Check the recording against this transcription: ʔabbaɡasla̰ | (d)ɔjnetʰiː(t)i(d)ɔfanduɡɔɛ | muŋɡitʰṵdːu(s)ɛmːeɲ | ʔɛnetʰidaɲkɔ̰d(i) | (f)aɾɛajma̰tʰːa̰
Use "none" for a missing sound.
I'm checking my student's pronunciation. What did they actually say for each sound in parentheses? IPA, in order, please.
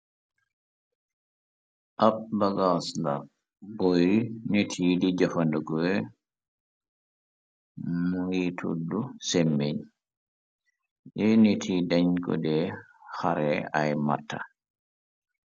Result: b, d, d͡ʒ, s, ɛ, h

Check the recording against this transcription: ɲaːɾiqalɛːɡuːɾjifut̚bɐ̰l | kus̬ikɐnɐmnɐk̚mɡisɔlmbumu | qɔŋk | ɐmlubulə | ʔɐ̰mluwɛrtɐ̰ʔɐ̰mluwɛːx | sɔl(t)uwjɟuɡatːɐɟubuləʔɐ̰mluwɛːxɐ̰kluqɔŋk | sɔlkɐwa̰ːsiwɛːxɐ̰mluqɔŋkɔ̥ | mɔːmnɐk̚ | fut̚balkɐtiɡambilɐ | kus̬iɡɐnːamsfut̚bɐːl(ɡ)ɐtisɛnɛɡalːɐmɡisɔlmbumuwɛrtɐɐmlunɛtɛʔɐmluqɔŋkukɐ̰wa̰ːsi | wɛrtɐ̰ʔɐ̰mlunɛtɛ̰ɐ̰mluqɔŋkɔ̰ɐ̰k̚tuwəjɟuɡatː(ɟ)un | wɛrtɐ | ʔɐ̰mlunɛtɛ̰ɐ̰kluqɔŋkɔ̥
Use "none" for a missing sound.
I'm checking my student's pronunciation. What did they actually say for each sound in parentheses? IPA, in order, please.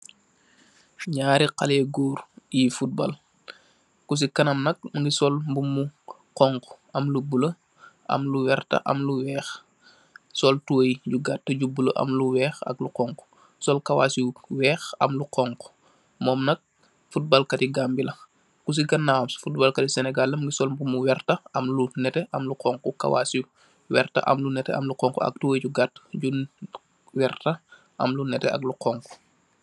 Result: t, k, ɟ

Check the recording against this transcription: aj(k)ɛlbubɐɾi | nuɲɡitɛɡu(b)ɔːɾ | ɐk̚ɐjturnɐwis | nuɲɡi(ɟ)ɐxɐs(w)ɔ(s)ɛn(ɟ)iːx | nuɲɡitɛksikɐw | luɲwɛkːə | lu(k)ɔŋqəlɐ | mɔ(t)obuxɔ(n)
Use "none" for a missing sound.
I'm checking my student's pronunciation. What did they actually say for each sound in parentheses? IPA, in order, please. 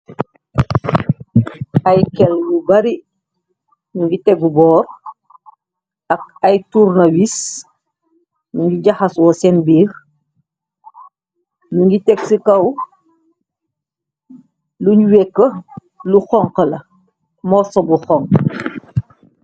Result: k, b, ɟ, w, s, b, x, s, ŋ

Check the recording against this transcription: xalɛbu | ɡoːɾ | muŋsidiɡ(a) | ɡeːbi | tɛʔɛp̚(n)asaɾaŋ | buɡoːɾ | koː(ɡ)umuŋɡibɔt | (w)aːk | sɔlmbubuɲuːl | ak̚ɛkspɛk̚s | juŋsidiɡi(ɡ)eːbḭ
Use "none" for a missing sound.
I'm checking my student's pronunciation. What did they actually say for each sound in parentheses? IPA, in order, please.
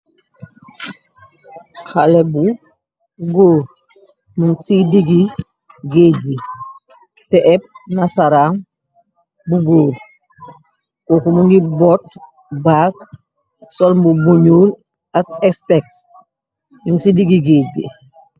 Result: i, n, k, b, ɡ

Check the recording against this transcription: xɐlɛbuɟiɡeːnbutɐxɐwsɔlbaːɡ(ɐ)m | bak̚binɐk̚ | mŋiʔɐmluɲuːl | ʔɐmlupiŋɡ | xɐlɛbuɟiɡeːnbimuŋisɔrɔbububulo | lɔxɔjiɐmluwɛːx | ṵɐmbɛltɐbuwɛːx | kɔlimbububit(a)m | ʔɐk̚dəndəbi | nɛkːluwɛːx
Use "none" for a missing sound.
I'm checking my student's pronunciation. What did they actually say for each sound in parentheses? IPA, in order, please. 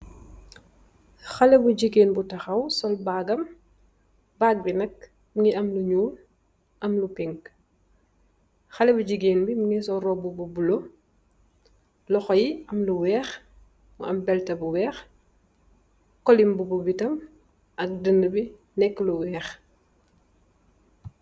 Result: ɐ, ɐ

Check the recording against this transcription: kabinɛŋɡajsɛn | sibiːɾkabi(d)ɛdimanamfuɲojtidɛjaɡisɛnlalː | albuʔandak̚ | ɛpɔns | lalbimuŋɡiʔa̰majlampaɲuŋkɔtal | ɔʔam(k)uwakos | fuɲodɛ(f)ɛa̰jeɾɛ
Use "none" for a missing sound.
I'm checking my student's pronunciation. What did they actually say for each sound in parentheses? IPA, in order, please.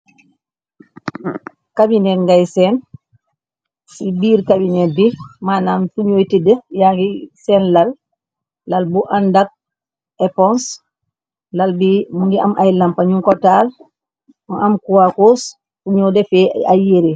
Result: n, k, f

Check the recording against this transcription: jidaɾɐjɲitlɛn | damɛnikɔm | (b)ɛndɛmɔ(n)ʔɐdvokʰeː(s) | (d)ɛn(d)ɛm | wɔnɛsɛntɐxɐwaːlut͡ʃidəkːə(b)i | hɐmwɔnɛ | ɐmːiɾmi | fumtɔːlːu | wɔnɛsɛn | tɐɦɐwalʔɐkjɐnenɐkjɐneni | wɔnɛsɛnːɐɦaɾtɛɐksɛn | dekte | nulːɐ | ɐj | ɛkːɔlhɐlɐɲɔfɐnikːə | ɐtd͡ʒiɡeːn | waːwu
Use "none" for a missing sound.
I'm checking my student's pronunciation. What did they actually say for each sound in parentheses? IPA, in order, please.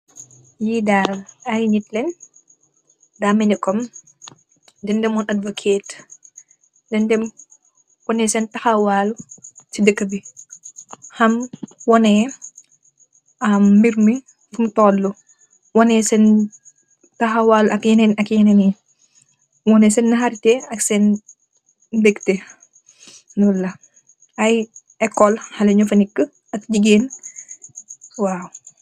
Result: d, n, t, d, d, b

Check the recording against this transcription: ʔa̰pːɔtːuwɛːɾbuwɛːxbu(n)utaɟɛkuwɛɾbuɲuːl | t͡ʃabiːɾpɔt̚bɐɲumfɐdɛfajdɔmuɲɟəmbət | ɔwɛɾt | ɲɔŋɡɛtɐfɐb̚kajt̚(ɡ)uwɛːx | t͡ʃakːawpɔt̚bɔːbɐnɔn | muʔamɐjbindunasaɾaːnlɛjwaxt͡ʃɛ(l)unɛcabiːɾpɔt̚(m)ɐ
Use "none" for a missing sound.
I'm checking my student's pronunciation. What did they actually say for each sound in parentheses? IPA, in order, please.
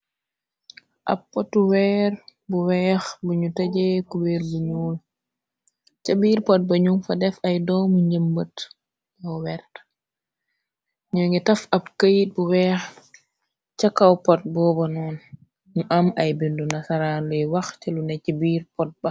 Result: ɲ, b, l, b

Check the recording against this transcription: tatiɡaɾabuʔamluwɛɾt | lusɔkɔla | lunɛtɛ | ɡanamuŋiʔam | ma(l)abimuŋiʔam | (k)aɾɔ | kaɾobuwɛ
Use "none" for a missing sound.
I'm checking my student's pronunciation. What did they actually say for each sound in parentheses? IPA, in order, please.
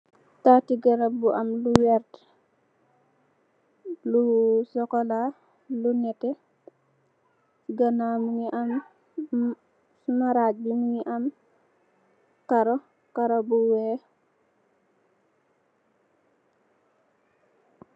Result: ɾ, k

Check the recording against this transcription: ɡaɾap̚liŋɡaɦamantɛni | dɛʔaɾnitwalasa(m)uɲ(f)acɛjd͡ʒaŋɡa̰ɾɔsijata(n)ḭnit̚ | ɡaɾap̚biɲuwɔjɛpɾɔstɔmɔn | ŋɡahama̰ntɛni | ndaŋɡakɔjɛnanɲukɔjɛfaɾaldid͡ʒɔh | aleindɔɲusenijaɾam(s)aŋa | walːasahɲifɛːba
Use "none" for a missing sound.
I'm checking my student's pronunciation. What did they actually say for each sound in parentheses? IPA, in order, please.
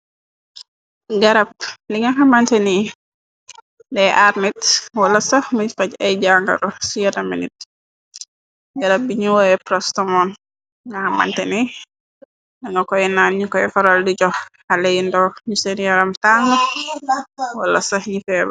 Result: m, f, m, t

